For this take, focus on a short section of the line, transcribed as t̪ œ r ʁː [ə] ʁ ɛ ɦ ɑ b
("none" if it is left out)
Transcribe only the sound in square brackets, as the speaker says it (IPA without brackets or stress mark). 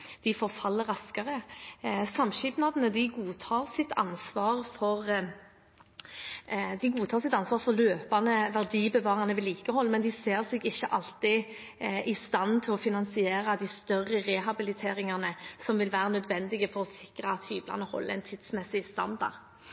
ə